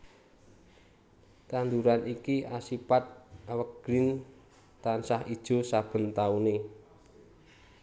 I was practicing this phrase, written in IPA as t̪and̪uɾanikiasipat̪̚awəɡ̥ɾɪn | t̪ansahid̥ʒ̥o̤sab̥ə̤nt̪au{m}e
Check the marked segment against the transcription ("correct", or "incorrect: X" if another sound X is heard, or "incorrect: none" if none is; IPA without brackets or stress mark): incorrect: n